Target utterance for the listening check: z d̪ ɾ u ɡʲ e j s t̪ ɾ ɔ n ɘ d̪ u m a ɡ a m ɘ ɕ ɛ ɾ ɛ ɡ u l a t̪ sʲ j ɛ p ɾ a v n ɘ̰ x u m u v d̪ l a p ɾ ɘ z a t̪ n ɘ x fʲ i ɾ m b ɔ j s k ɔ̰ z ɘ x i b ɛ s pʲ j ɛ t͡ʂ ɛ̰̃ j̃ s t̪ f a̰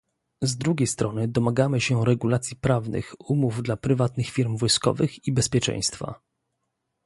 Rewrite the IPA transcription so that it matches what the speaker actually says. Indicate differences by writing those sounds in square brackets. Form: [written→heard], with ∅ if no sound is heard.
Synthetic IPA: z d̪ ɾ u ɡʲ e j s t̪ ɾ ɔ n ɘ d̪ [u→ɔ] m a ɡ a m ɘ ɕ ɛ ɾ ɛ ɡ u l a t̪ sʲ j [ɛ→i] p ɾ a v n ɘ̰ x u m u v d̪ l a p ɾ ɘ [z→v] a t̪ n ɘ x fʲ i ɾ m [b→v] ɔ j s k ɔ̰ [z→v] ɘ x i b ɛ s pʲ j ɛ t͡ʂ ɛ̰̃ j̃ s t̪ f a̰